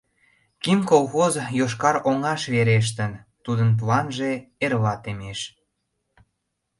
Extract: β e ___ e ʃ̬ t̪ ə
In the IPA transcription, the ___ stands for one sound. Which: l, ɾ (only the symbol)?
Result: ɾ